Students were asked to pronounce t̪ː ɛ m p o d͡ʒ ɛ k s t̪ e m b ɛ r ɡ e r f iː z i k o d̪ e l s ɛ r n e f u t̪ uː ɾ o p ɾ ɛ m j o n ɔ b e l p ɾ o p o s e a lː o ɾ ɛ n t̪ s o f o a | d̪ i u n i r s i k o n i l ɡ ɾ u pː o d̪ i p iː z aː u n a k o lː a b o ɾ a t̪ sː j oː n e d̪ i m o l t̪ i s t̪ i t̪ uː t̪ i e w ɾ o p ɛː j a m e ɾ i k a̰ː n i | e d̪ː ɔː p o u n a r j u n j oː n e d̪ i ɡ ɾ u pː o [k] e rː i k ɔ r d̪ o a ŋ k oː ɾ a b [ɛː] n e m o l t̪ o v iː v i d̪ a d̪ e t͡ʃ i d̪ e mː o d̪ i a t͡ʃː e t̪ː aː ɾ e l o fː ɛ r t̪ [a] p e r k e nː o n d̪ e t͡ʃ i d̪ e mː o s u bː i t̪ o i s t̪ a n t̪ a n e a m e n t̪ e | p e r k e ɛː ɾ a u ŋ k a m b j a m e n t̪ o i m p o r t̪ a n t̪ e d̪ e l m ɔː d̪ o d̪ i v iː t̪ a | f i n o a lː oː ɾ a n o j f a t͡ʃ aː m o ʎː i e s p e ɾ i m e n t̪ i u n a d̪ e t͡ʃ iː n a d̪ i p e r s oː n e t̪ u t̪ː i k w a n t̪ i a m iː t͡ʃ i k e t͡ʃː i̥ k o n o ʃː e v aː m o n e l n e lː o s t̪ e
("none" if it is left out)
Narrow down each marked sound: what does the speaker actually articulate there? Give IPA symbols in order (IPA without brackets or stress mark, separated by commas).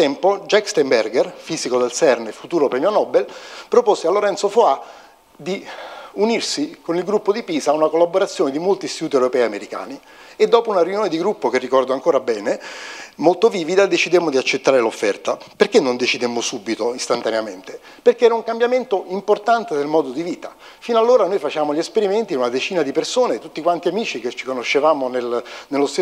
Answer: k, ɛː, a